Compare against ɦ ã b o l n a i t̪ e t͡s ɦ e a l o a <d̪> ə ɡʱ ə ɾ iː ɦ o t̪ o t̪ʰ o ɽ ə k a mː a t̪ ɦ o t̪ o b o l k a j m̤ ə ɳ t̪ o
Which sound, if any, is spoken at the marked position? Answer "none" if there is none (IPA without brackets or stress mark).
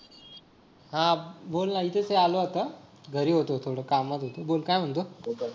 t̪